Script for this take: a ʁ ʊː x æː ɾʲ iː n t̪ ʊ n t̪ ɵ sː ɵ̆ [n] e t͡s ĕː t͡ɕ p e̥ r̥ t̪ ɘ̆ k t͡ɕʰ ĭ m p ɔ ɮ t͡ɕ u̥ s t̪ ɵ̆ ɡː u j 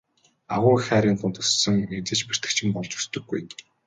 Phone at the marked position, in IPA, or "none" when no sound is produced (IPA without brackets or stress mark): ŋ